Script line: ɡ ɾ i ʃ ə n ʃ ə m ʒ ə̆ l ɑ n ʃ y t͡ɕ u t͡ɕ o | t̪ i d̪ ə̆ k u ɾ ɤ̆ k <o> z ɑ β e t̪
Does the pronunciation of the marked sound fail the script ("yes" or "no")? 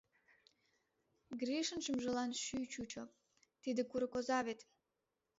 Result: no